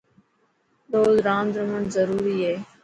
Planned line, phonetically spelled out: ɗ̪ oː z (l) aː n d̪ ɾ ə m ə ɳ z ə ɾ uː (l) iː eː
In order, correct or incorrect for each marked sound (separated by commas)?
incorrect, incorrect